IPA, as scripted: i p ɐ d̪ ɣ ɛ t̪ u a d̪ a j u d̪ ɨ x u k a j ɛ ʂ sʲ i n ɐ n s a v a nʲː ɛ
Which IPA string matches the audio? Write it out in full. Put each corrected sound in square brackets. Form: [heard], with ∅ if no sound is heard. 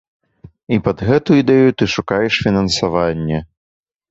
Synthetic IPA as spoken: i p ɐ d̪ ɣ ɛ t̪ u [i] d̪ [ɛ] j u [t̪] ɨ [ʂ] u k a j ɛ ʂ [fʲ] i n ɐ n s a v a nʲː ɛ